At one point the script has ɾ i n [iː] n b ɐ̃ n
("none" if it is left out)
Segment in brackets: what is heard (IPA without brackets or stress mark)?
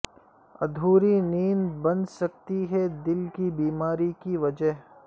iː